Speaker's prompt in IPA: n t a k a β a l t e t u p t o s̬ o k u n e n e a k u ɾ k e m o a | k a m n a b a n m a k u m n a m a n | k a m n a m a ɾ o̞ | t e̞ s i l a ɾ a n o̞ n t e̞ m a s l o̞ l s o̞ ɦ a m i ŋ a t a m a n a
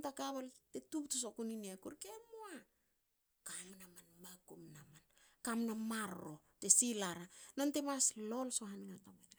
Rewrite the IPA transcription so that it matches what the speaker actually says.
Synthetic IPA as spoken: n t a k a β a l t e t u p t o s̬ o k u n i n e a k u ɾ k e m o a | k a m n a m a n m a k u m n a m a n | k a m n a m a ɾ o̞ | t e̞ s i l a ɾ a n o̞ n t e̞ m a s l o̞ l s o̞ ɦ a n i ŋ a t a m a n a